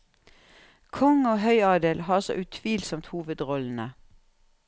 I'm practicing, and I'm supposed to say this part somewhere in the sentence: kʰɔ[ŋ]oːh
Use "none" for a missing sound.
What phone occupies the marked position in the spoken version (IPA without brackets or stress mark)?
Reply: ŋ